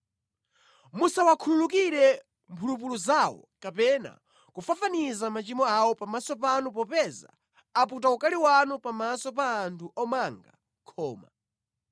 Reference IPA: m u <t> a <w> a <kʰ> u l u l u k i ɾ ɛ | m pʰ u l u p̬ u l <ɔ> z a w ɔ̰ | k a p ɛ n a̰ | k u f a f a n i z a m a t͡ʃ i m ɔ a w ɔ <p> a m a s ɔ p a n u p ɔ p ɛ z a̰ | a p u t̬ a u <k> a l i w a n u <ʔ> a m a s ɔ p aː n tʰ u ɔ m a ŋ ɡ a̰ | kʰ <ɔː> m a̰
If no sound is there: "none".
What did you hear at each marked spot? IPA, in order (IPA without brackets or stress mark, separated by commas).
s, w, kʰ, u, p, k, p, ɔː